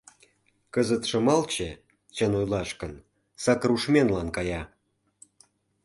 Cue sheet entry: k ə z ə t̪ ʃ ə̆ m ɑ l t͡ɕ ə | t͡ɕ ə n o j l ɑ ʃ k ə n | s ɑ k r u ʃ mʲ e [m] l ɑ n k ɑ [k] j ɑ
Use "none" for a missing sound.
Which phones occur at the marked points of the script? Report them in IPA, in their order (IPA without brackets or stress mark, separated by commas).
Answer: n, none